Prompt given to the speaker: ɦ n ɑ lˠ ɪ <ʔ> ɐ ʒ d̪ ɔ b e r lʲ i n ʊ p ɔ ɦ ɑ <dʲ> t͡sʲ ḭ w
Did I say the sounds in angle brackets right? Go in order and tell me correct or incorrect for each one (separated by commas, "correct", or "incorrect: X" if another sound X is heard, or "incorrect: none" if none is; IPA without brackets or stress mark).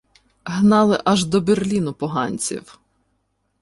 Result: correct, incorrect: nʲ